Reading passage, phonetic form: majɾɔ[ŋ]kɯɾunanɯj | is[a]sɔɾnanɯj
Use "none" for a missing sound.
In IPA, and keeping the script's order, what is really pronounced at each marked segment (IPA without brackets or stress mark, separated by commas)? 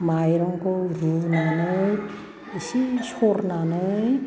ŋ, i